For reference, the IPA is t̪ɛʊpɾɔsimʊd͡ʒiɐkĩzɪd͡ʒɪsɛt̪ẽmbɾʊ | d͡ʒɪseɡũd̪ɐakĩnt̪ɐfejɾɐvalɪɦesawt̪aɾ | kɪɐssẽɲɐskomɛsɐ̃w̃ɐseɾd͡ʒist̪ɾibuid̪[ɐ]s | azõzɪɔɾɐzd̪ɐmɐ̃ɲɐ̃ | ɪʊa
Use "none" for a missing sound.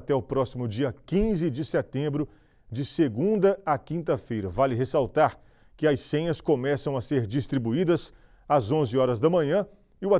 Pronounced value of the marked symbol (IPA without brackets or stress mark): ɐ